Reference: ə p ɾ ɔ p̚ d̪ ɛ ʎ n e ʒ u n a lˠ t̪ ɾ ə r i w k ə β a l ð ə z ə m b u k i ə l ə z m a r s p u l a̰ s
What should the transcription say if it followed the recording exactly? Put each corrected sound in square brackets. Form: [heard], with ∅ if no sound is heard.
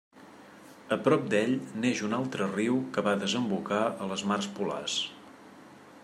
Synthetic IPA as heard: ə p ɾ ɔ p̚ d̪ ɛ ʎ n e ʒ u n a lˠ t̪ ɾ ə r i w k ə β a [∅] ð ə z ə m b u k [a] ə l ə z m a r s p u l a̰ s